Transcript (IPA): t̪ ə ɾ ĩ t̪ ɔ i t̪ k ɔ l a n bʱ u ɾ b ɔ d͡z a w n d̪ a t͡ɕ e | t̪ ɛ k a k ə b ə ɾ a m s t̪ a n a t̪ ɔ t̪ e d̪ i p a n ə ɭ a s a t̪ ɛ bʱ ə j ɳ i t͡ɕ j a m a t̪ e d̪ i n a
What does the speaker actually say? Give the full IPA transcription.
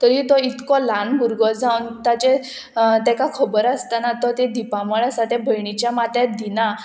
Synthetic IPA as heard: t̪ ə ɾ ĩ t̪ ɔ i t̪ k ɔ l a n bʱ u ɾ ɡ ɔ d͡z a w n t̪ a t͡ɕ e | t̪ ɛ k a kʰ ə b ə ɾ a s t̪ a n a t̪ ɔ t̪ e d̪ i p a m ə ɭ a s a t̪ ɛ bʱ ə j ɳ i t͡ɕ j a m a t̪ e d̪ i n a